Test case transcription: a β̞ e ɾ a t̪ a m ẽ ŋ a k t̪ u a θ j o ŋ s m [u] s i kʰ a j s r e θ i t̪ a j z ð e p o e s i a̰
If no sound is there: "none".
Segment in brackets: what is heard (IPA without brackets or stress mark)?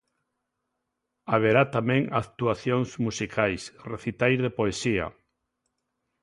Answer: u